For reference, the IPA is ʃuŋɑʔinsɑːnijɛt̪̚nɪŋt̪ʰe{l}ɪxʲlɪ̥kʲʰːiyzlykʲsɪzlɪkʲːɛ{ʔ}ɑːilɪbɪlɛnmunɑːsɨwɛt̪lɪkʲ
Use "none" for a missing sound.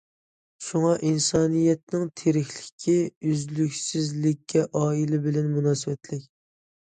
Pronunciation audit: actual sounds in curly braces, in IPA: ɾ, ʔ

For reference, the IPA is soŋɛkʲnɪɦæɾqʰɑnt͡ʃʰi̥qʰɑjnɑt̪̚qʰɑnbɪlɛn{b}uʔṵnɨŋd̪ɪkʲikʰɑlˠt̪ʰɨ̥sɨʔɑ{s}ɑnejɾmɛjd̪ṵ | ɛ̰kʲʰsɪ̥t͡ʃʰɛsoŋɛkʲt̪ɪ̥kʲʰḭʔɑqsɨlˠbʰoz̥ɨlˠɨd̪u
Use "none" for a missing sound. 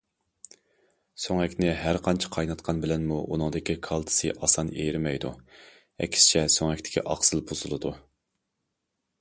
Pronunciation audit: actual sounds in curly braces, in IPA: m, s

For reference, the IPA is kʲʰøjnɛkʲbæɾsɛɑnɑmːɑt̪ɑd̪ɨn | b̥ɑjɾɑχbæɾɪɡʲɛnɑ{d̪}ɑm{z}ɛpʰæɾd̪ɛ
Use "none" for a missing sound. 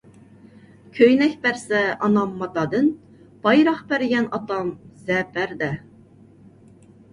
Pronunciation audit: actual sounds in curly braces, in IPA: t̪, z

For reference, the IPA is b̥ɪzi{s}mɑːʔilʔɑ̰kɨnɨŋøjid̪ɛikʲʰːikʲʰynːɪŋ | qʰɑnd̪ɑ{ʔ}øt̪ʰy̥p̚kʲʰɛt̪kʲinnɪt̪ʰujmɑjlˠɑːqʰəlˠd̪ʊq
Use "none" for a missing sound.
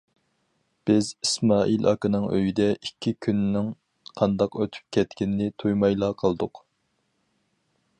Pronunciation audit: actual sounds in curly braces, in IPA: s, q

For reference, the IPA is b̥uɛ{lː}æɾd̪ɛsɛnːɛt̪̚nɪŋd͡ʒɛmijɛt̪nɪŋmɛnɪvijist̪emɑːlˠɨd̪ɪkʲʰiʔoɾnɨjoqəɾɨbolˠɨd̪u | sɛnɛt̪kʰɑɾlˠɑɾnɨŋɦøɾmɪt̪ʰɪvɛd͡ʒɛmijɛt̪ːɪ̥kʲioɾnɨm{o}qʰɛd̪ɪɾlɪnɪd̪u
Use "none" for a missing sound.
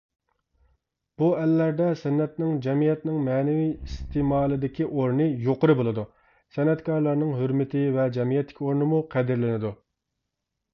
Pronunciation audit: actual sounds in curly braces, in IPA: lː, u

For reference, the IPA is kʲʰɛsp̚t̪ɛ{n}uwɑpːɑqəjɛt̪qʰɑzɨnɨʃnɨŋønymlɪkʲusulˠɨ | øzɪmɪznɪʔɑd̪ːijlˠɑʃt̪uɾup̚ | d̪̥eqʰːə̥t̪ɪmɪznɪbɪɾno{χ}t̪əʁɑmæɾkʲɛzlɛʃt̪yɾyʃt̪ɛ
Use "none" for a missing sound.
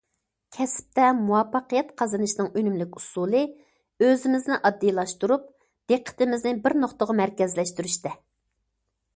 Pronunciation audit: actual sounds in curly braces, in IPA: m, χ

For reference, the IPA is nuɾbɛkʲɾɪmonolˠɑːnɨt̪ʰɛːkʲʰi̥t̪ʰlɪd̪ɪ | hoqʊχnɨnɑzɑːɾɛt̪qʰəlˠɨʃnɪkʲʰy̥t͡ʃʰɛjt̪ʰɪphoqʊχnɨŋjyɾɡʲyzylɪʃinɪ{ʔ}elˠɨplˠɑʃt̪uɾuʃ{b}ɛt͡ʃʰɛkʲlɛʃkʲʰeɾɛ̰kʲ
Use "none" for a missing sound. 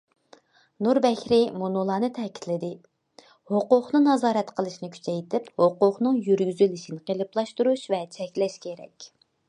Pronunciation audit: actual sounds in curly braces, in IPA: q, v

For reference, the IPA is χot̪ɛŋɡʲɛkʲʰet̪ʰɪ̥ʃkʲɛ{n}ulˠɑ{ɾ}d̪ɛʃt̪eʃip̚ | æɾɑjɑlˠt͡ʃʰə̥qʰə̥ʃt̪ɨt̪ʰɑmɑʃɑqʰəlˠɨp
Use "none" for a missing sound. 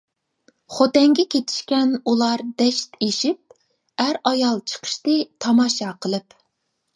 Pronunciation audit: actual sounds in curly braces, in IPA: n, ɾ

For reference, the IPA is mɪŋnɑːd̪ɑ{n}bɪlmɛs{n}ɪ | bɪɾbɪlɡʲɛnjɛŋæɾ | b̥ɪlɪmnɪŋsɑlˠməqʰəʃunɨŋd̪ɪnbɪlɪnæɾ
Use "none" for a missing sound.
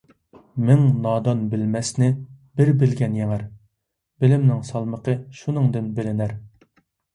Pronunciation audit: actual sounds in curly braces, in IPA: n, n

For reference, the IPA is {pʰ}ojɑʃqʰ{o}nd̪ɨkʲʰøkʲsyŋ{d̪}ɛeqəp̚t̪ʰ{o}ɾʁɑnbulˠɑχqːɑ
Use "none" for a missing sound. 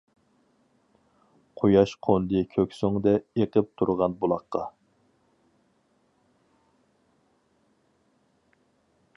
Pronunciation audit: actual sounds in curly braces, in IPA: qʰ, o, d̪, u

